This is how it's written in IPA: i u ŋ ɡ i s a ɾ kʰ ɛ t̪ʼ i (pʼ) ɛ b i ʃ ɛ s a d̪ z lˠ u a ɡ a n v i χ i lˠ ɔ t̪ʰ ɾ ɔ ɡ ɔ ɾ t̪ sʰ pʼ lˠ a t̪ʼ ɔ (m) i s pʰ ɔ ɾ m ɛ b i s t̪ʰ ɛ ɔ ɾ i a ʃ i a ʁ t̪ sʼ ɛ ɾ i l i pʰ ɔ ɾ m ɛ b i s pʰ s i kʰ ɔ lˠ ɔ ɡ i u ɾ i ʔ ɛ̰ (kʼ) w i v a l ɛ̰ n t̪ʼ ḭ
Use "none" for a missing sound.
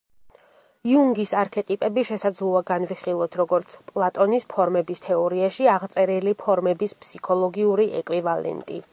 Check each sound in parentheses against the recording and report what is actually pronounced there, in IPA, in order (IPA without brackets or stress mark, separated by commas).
pʼ, n, kʼ